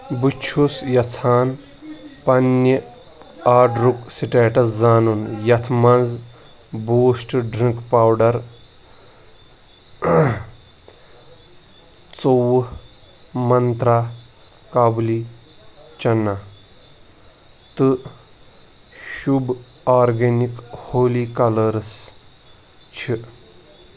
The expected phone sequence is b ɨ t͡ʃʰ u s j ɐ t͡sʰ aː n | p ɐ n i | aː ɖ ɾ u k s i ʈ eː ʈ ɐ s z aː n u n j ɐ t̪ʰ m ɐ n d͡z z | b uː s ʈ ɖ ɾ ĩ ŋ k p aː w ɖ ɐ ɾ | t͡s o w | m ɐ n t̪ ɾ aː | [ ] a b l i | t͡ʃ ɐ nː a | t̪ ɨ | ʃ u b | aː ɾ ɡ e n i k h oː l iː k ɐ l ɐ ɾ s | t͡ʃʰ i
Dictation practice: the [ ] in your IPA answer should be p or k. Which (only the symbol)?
k